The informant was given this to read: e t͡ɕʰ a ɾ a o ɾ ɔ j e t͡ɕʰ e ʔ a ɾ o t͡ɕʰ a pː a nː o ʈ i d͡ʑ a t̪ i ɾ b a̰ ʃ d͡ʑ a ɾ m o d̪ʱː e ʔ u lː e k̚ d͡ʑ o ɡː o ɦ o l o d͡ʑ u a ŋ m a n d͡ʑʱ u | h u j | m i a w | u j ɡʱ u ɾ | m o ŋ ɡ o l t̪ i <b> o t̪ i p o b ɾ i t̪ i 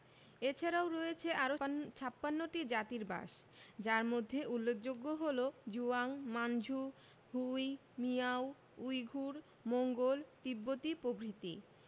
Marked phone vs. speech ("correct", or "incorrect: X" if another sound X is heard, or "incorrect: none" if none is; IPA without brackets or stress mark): incorrect: bː